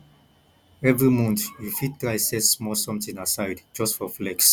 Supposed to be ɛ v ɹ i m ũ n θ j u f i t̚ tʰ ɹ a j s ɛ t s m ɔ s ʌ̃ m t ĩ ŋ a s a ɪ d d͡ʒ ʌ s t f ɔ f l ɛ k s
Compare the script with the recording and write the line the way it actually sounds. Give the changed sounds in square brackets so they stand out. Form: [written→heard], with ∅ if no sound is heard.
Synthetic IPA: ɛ v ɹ i m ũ n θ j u f i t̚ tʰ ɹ a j s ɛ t s m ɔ s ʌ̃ m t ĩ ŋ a s a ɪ d d͡ʒ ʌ s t f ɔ f l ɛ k s